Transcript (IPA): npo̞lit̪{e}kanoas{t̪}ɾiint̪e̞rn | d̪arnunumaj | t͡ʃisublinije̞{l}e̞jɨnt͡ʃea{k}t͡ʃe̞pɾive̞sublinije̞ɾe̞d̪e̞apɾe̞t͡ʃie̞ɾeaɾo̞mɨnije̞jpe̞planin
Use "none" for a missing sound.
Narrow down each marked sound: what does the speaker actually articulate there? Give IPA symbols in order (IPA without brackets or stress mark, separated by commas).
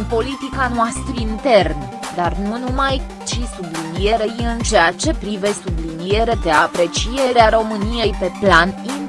i, t̪, ɾ, none